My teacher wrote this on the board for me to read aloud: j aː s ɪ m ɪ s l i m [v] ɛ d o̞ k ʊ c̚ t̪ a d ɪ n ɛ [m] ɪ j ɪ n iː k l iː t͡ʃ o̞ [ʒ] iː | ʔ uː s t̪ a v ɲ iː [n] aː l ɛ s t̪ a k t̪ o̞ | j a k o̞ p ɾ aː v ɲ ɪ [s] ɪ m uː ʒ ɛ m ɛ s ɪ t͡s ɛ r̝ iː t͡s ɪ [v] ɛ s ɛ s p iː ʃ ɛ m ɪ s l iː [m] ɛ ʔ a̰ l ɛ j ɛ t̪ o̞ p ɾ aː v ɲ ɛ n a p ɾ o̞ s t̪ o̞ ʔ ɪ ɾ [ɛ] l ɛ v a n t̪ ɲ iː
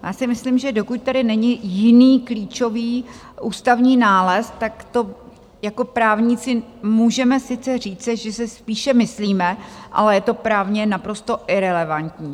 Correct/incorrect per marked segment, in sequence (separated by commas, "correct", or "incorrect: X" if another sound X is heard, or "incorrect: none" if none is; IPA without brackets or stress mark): incorrect: ʒ, incorrect: ɲ, incorrect: v, correct, incorrect: t͡s, incorrect: ʒ, correct, correct